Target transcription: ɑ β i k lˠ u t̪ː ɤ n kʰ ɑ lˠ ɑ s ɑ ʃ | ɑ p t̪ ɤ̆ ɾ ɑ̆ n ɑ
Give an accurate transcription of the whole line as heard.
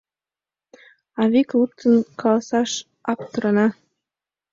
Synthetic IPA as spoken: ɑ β i k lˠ u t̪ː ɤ n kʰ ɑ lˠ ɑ s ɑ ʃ | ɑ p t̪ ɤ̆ ɾ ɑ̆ n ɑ